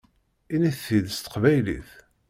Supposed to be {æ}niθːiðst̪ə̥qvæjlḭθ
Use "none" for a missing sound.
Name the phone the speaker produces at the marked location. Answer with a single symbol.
i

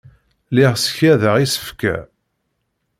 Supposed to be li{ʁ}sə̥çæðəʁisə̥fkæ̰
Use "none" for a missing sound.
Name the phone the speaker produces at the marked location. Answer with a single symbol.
ʁ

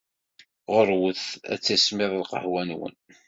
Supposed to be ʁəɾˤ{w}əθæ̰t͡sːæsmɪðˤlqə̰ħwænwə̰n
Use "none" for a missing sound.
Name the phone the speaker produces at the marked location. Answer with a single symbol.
w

